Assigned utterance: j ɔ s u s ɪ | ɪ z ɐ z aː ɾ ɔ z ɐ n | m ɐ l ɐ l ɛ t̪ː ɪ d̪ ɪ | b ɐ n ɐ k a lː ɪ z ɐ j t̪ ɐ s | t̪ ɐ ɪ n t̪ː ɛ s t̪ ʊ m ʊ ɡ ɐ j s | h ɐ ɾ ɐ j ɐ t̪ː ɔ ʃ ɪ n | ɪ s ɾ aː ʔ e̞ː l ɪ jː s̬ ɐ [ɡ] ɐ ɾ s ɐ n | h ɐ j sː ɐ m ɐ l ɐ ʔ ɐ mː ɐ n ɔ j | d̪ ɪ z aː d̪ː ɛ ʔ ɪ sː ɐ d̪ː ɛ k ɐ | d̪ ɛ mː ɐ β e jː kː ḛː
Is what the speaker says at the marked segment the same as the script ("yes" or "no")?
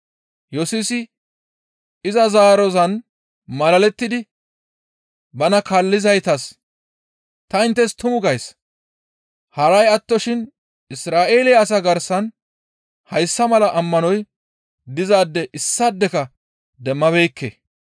yes